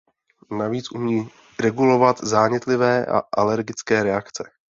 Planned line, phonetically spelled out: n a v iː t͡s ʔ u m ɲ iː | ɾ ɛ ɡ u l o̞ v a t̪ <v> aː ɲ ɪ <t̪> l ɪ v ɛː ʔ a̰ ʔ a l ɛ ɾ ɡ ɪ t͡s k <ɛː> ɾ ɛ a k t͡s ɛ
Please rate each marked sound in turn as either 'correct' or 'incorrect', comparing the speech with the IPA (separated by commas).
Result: incorrect, correct, correct